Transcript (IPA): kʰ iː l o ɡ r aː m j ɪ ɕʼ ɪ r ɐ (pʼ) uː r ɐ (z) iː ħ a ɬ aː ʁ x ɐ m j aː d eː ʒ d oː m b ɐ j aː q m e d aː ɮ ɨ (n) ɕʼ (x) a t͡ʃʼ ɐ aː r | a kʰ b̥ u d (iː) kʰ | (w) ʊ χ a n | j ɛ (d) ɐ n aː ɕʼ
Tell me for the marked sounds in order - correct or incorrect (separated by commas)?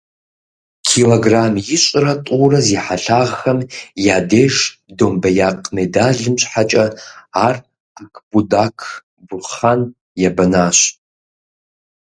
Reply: incorrect, correct, incorrect, incorrect, incorrect, incorrect, incorrect